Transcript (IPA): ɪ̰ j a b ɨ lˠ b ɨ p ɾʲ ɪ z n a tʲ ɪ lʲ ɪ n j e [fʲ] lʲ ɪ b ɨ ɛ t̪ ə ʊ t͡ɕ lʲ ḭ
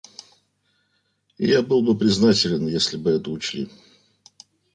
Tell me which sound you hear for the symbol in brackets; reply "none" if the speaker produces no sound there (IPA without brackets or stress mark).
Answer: sʲ